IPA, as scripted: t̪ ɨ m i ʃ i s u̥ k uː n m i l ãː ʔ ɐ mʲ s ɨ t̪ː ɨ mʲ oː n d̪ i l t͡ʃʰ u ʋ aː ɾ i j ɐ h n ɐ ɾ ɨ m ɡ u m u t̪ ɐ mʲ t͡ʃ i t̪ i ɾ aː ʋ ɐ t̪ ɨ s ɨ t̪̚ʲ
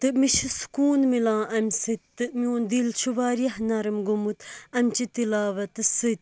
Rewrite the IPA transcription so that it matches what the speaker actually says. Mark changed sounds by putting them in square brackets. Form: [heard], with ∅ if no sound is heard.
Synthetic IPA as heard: t̪ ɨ m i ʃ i s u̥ k uː n m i l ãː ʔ ɐ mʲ s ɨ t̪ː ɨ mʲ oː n d̪ i l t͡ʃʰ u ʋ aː ɾ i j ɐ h n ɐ ɾ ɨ m ɡ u m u t̪ ɐ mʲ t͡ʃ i t̪ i [l] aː ʋ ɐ t̪ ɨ s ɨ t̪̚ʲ